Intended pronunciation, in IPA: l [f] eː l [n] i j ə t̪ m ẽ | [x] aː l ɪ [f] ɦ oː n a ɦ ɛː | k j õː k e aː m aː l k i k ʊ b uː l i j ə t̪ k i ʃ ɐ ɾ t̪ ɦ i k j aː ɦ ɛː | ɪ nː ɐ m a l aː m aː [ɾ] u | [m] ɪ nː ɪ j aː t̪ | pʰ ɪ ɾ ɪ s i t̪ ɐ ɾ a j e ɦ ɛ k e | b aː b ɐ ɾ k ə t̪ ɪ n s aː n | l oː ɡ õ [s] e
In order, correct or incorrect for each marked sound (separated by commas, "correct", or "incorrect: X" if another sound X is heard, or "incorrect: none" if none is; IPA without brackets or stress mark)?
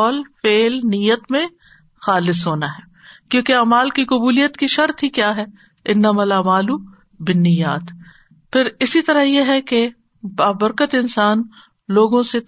correct, correct, correct, incorrect: s, incorrect: l, incorrect: b, correct